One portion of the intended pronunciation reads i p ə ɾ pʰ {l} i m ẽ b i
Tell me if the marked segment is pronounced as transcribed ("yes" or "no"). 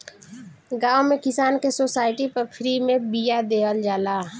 no